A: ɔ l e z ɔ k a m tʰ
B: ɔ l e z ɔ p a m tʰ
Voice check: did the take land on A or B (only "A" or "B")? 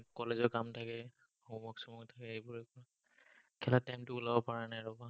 A